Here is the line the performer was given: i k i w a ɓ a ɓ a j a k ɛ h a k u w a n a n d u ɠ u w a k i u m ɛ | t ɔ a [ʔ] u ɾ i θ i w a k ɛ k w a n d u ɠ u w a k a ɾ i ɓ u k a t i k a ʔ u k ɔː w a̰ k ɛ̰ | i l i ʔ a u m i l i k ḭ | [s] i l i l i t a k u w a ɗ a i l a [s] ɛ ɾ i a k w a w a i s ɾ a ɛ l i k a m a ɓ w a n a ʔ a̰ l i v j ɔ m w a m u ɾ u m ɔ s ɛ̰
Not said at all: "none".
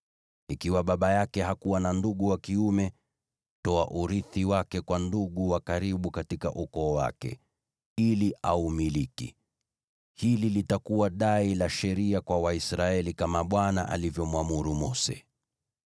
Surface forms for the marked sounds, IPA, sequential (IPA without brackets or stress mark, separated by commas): ʔ, h, ʃ